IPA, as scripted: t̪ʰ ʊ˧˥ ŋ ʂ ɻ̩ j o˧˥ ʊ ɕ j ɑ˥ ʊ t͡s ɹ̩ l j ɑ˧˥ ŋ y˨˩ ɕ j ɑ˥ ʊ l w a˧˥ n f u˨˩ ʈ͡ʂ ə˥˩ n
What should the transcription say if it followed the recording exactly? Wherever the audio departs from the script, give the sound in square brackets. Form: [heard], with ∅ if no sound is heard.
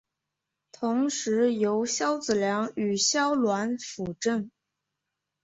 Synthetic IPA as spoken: t̪ʰ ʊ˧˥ ŋ ʂ ɻ̩ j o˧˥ ʊ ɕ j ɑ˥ ʊ t͡s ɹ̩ l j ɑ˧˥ ŋ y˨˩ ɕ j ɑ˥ ʊ l w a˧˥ n f u˨˩ ʈ͡ʂ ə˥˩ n